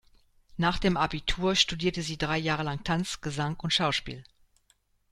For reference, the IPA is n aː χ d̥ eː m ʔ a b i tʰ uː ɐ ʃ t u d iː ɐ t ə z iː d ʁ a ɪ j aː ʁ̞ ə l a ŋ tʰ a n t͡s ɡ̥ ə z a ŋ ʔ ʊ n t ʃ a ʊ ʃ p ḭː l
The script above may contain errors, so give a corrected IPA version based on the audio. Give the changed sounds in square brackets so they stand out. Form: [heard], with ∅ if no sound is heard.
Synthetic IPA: n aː χ d̥ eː m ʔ a b i tʰ uː ɐ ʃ t u d iː ɐ t ə z iː d ʁ a ɪ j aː ʁ̞ ə l a ŋ tʰ a n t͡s ɡ̥ ə z a ŋ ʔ ʊ n t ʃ a ʊ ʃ p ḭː l